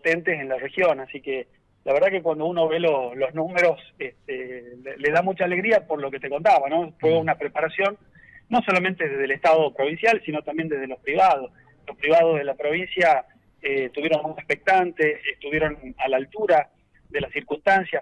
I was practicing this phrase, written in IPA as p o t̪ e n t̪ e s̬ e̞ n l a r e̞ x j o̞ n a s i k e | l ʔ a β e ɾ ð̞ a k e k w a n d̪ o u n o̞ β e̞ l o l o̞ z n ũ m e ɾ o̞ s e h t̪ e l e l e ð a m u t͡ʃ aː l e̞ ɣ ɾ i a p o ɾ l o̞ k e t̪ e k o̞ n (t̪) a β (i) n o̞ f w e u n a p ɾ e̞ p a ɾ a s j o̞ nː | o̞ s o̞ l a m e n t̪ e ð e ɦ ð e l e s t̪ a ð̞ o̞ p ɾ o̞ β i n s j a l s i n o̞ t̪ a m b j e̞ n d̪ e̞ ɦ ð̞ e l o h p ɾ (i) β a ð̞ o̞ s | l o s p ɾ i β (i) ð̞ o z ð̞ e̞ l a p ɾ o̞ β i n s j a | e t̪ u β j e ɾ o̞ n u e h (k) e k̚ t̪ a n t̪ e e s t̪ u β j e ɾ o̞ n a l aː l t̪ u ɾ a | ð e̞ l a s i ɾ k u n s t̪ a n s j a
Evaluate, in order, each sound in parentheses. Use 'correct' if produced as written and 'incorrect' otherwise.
correct, incorrect: a, correct, incorrect: a, incorrect: p

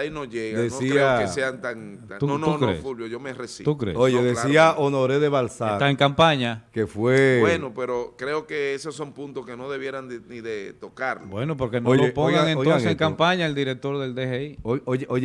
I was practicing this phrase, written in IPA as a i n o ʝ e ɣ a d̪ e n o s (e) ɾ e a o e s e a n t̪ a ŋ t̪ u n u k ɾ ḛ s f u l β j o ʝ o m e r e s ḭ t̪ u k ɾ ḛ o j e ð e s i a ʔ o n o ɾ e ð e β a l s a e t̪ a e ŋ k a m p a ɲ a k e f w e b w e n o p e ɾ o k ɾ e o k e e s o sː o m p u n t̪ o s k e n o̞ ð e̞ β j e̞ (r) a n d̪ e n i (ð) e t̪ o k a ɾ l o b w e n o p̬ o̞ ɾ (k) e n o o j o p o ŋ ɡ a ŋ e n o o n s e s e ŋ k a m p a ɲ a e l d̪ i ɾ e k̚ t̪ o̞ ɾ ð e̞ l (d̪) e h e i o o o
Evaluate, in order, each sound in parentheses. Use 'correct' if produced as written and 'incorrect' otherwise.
incorrect: i, incorrect: ɾ, correct, correct, correct

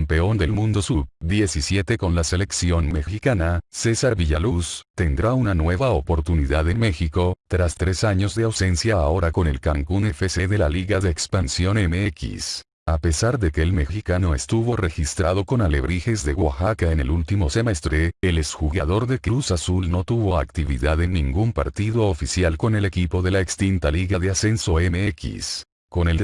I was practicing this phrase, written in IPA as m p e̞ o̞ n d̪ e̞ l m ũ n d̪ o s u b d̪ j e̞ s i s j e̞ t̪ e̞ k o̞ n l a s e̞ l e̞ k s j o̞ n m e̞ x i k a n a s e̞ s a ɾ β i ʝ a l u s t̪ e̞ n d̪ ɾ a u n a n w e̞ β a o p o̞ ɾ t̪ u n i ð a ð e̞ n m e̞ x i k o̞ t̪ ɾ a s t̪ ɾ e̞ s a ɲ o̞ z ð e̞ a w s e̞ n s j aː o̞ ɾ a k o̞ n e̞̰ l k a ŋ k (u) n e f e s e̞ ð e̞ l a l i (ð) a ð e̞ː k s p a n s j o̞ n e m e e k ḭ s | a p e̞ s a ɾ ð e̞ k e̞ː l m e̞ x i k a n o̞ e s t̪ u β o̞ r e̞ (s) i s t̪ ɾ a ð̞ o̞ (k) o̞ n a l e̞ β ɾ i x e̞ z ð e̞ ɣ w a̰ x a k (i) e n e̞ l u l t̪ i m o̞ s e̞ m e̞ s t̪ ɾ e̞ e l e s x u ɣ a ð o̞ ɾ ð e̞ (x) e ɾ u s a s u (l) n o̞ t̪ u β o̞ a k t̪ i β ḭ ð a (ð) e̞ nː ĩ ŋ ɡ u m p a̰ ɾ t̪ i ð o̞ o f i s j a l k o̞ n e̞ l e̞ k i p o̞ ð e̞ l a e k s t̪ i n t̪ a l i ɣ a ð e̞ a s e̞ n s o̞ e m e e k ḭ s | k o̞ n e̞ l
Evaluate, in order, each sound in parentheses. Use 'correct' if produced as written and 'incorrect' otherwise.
correct, incorrect: ɣ, incorrect: x, correct, incorrect: a, incorrect: k, correct, correct

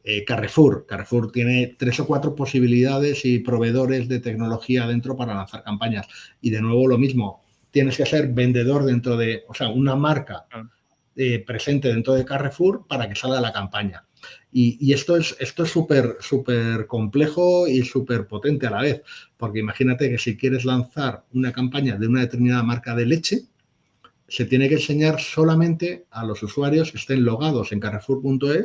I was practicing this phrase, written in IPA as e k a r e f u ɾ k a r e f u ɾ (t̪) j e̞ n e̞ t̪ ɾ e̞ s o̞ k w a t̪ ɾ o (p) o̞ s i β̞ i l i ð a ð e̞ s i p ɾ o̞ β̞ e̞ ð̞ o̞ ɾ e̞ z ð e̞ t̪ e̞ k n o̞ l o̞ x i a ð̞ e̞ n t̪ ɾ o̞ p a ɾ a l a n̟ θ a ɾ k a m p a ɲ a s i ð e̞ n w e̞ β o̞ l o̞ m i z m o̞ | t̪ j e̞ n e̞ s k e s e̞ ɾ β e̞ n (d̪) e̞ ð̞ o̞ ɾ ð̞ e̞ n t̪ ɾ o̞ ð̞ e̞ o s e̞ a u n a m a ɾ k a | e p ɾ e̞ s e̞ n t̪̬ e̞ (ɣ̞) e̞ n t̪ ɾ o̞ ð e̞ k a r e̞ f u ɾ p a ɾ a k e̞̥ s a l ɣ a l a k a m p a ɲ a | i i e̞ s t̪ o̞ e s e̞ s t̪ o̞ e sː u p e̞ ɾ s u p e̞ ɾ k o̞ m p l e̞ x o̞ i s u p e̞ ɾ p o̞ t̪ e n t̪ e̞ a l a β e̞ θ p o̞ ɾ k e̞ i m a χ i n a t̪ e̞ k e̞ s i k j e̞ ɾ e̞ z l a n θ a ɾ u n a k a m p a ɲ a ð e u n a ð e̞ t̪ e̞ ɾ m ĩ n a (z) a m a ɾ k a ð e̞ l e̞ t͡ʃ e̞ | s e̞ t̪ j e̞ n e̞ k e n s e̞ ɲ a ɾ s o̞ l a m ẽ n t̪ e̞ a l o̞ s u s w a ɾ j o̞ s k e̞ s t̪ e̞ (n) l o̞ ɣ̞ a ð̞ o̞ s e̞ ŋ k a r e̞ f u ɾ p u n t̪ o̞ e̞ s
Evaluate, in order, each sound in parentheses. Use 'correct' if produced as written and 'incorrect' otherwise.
correct, correct, correct, incorrect: ð̞, incorrect: ð, correct

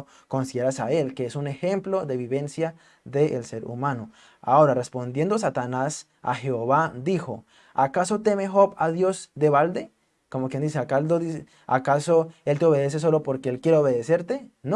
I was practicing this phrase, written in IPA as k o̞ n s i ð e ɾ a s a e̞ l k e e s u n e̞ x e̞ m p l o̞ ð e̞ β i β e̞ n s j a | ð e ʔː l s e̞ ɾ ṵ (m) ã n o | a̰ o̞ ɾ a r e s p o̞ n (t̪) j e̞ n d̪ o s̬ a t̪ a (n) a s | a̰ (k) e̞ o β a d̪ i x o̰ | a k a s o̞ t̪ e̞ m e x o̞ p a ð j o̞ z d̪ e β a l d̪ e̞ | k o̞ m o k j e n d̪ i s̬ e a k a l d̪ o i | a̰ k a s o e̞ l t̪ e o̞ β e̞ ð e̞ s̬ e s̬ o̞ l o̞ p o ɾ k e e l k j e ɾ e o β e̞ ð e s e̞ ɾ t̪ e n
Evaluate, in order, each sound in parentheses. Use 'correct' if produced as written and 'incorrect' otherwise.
correct, incorrect: d̪, correct, incorrect: x

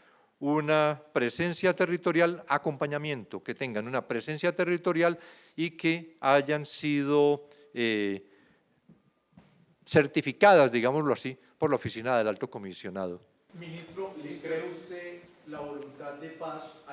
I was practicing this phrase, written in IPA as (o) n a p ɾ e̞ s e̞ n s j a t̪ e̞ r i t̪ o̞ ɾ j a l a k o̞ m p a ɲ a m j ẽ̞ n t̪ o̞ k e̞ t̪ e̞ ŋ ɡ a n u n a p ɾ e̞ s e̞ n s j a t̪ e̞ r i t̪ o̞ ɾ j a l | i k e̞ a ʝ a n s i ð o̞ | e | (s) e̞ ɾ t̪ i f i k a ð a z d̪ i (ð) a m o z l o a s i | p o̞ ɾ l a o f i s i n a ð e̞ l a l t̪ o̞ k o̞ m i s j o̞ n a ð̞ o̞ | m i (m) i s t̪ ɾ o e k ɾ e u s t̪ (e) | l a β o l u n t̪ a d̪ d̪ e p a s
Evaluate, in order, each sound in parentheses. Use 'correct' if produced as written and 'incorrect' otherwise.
incorrect: u, correct, incorrect: ɣ, incorrect: n, correct

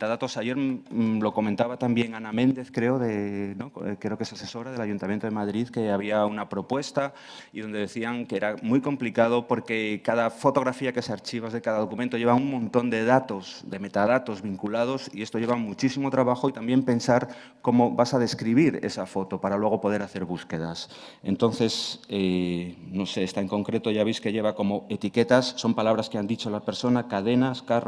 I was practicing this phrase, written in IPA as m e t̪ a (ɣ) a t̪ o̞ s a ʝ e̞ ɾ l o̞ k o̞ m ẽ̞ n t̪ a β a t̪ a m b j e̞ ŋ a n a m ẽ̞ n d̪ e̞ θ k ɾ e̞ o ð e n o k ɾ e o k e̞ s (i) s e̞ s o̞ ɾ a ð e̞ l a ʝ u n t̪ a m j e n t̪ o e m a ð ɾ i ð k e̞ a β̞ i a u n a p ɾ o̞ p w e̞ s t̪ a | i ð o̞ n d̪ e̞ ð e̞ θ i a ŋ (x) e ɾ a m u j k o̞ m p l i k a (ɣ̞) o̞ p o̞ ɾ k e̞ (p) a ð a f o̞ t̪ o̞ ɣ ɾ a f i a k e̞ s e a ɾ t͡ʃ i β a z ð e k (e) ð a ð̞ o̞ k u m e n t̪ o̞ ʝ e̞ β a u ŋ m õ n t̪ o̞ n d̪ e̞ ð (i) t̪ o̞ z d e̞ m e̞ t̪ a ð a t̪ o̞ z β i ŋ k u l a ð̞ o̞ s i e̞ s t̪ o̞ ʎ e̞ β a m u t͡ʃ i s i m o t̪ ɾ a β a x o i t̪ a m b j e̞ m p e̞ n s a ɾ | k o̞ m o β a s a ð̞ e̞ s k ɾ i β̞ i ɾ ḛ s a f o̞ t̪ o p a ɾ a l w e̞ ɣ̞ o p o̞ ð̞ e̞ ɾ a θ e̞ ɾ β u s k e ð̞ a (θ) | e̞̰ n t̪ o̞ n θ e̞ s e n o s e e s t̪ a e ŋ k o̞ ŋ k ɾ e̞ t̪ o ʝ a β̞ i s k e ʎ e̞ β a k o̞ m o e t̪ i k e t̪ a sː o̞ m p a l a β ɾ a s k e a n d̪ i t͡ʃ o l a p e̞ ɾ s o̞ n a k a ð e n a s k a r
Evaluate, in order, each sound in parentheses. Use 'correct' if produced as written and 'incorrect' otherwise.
incorrect: ð, incorrect: a, incorrect: k, incorrect: ð̞, incorrect: k, incorrect: a, incorrect: a, incorrect: s

